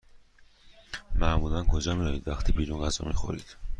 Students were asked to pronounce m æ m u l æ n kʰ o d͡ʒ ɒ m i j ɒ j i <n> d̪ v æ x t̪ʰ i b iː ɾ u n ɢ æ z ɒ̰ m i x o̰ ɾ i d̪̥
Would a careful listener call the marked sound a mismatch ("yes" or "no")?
yes